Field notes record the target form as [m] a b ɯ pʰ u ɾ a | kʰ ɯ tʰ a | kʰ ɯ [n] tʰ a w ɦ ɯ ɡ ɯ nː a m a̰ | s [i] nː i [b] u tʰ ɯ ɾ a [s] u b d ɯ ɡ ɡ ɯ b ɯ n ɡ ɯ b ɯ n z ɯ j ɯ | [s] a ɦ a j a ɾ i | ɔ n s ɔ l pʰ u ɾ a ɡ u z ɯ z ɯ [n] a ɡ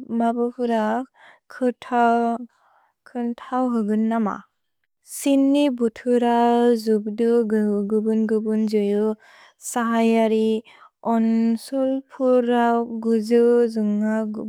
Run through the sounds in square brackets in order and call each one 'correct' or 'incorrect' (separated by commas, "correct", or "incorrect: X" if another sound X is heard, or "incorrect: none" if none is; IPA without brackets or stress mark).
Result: correct, correct, correct, correct, incorrect: z, correct, incorrect: ŋ